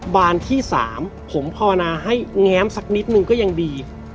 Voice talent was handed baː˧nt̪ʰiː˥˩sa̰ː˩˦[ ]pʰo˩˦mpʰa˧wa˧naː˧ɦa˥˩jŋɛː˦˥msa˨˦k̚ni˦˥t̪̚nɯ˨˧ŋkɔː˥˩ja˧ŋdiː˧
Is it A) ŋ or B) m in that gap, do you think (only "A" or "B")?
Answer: B